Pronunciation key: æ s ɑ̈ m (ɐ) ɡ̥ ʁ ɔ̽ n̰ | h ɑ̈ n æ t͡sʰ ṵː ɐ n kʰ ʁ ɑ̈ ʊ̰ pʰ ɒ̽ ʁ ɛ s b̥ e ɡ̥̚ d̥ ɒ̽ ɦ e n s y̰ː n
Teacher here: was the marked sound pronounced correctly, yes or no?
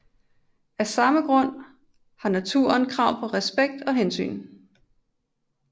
no